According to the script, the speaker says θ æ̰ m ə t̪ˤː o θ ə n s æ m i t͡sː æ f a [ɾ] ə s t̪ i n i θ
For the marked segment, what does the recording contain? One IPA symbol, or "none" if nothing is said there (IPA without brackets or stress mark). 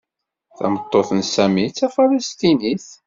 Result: l